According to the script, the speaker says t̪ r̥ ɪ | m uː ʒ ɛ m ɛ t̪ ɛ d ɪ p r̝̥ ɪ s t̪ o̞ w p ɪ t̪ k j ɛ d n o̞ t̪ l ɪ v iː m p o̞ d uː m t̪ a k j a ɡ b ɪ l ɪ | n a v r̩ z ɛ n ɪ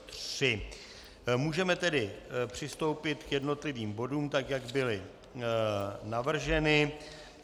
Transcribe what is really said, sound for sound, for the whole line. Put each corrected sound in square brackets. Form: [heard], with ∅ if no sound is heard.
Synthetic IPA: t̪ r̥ ɪ | m uː ʒ ɛ m ɛ t̪ ɛ d ɪ p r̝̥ ɪ s t̪ o̞ w p ɪ t̪ k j ɛ d n o̞ t̪ l ɪ v iː m [b] o̞ d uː m t̪ a k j a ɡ b ɪ l ɪ | n a v r̩ [ʒ] ɛ n ɪ